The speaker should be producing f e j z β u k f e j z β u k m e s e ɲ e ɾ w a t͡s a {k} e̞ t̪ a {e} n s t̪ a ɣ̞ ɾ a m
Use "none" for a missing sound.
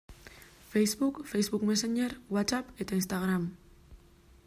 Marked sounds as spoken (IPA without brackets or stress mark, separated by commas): p, i